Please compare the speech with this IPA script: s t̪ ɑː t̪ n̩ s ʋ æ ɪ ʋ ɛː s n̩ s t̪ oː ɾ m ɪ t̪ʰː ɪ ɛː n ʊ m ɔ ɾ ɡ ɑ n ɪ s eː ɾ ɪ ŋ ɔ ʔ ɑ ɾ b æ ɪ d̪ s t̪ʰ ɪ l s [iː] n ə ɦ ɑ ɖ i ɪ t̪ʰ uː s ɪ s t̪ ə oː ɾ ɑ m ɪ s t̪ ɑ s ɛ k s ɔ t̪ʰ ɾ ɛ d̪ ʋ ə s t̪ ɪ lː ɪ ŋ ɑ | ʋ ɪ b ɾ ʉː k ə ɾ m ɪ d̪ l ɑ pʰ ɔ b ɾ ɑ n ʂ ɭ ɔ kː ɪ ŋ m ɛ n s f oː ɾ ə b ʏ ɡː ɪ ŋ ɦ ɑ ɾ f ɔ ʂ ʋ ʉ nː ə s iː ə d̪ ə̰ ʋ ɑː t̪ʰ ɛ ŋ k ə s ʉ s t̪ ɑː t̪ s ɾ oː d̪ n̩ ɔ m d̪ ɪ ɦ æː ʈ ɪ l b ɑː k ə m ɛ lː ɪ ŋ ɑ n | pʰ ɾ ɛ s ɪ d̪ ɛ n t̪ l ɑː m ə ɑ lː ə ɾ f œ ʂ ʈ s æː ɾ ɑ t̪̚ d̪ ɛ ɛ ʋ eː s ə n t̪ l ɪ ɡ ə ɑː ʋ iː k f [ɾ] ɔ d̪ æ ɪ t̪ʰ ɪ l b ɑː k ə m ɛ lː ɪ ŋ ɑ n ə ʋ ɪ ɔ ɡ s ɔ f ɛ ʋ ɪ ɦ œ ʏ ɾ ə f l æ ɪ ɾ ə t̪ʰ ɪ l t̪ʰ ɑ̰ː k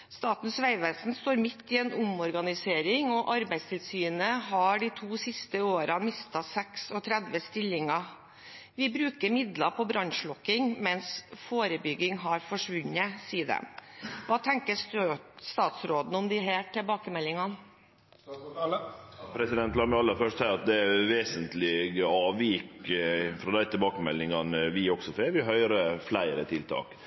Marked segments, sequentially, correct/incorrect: incorrect: yː, correct

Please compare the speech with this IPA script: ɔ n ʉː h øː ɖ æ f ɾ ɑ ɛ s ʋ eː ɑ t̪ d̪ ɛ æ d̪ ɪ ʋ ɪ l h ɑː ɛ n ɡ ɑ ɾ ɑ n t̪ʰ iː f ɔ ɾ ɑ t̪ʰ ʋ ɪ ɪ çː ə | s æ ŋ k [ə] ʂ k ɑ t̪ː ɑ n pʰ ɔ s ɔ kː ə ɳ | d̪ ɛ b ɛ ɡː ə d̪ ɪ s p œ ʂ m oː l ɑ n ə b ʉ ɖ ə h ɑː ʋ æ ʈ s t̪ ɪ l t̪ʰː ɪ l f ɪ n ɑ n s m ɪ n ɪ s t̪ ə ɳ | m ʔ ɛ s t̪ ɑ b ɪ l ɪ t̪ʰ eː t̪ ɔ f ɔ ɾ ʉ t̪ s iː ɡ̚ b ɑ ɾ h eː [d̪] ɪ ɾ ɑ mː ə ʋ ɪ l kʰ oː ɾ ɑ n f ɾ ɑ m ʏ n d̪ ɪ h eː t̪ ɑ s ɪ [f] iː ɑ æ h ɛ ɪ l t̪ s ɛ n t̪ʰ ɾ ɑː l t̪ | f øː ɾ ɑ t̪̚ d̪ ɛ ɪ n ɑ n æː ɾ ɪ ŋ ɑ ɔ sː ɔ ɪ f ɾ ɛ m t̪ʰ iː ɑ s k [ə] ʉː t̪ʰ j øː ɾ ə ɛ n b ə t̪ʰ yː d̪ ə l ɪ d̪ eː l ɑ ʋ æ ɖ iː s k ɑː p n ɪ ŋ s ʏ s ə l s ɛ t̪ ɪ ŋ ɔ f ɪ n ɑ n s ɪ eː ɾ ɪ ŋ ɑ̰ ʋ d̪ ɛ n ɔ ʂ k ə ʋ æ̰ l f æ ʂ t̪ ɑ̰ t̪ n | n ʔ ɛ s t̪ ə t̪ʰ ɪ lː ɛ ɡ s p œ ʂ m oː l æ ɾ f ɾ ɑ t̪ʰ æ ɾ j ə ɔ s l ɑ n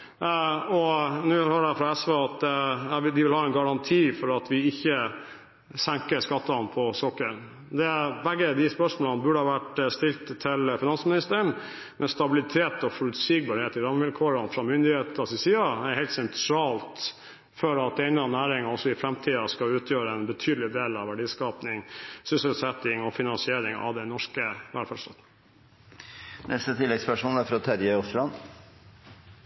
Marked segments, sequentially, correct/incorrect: correct, incorrect: t̪, incorrect: s, incorrect: ɑ

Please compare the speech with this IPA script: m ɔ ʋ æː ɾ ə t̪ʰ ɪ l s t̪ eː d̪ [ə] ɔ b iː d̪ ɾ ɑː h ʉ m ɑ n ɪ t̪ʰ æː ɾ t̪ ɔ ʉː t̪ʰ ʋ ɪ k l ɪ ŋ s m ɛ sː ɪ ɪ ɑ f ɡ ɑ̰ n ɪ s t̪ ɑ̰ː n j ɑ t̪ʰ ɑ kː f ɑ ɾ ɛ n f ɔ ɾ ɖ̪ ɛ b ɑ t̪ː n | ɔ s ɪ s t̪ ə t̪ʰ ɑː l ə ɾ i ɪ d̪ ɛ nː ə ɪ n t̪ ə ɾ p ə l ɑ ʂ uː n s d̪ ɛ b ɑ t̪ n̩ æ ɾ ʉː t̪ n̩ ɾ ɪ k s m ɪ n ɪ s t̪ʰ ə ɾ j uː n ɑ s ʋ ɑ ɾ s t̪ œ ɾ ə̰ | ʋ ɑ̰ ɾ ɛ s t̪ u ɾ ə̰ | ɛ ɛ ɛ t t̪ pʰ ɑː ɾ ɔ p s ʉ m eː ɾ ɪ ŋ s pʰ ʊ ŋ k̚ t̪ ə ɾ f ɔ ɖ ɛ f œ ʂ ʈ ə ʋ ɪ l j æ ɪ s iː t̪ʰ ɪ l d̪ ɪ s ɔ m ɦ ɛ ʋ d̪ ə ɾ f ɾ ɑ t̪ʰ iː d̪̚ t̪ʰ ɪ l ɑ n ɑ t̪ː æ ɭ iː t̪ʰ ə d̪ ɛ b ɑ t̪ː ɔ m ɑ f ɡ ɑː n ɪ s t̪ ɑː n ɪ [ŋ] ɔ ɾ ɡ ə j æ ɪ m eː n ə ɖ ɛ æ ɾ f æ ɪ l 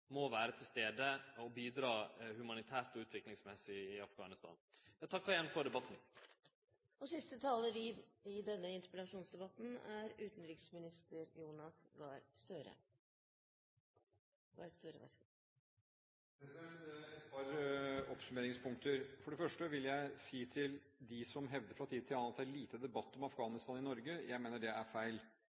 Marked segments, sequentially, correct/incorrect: correct, incorrect: n

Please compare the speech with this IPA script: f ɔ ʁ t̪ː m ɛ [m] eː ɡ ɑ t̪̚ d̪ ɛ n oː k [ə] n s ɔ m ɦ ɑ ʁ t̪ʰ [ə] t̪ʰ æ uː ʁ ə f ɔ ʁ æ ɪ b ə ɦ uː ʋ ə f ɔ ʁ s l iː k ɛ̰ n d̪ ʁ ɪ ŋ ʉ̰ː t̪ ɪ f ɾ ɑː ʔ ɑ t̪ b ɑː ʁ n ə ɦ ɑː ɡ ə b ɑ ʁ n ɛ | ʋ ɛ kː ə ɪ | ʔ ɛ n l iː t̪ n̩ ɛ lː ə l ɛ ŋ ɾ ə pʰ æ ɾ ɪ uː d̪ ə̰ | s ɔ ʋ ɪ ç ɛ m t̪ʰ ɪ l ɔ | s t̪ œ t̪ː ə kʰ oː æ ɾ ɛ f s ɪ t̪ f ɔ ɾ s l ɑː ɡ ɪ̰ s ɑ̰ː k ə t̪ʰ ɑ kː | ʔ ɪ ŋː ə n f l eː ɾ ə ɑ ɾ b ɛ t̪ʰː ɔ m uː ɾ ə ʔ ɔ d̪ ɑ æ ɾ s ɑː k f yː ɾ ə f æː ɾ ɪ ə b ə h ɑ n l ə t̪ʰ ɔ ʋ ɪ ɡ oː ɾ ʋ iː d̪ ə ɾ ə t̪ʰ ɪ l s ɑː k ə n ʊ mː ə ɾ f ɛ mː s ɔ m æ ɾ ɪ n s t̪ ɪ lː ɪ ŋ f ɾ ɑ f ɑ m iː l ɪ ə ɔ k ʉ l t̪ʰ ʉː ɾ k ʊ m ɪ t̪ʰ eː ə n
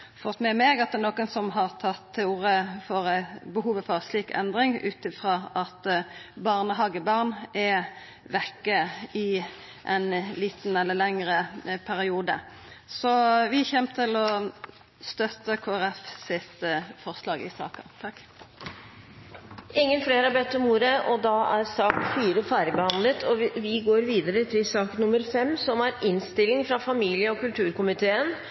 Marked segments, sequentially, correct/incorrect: correct, correct, incorrect: ɑ

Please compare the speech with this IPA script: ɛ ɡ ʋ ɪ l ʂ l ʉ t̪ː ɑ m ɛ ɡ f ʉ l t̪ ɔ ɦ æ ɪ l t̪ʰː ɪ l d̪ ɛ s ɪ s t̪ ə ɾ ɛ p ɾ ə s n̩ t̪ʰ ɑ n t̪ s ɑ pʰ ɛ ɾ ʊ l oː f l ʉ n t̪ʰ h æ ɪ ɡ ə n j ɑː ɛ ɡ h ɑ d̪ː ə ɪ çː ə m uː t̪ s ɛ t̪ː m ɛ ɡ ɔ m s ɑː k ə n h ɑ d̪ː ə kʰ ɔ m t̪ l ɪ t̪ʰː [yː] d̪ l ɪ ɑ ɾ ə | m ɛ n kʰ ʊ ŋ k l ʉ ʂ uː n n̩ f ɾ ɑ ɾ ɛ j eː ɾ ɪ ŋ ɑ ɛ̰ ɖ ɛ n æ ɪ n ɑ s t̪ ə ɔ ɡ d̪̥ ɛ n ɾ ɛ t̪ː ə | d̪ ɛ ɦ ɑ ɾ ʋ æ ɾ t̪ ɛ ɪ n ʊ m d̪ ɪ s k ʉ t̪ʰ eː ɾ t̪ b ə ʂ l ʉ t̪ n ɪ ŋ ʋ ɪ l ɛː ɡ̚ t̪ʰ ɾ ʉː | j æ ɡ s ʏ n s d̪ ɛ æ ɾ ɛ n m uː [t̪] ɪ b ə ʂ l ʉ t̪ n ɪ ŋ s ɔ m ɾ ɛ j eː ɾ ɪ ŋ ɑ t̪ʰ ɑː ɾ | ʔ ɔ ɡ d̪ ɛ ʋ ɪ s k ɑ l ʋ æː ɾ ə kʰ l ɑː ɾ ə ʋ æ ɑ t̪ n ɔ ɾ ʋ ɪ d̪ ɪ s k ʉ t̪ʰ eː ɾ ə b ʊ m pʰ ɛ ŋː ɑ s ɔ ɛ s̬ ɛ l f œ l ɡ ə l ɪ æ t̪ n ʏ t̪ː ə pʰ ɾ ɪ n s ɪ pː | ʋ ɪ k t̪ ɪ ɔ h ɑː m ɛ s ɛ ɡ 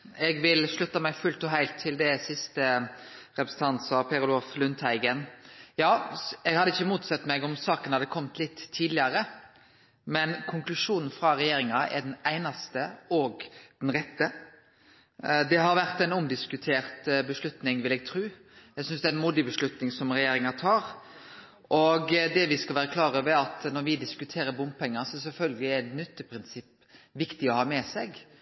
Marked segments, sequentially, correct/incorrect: incorrect: iː, incorrect: d̪

